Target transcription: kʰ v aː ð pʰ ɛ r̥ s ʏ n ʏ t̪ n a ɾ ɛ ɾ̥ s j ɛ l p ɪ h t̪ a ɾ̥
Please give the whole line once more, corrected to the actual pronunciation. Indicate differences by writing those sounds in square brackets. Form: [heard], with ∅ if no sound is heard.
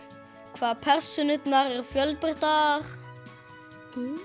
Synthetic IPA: kʰ v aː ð pʰ ɛ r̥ s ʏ n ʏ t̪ n a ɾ ɛ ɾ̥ [f] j [œ] l p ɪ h t̪ a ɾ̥